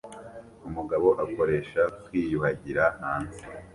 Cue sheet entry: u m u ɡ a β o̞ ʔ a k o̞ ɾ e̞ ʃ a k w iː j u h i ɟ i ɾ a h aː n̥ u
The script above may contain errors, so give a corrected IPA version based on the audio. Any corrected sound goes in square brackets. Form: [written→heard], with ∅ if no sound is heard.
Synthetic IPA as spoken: u m u ɡ a β o̞ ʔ a k o̞ ɾ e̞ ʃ a k w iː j u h [i→a] ɟ i ɾ a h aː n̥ u